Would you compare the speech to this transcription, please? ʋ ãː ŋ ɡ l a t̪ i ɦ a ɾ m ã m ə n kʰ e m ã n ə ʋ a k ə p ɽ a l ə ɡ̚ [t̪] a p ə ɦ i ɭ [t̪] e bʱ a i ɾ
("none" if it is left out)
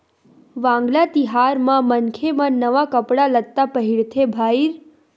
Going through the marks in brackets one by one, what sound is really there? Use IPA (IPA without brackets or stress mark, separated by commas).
t̪, t̪ʰ